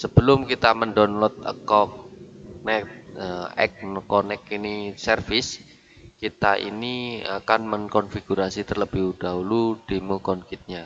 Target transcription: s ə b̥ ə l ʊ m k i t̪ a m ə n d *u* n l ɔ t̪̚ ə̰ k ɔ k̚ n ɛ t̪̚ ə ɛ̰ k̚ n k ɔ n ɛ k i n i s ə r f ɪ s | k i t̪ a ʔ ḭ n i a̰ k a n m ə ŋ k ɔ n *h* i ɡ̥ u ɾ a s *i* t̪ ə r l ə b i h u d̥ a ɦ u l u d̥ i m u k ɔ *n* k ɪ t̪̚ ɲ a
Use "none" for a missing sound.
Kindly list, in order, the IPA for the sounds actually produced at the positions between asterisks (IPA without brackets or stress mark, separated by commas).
ɔ, f, i, n